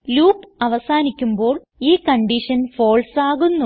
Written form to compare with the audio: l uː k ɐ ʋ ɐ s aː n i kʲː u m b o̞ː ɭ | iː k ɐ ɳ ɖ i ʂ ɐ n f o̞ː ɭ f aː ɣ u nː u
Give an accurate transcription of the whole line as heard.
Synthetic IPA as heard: l uː p ɐ ʋ ɐ s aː n i kʲː u m b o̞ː ɭ | iː k ɐ ɳ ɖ i ʂ ɐ n f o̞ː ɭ s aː ɣ u nː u